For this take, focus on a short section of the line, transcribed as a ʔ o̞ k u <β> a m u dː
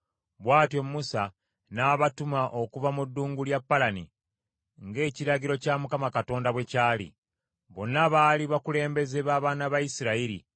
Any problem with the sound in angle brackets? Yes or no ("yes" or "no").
yes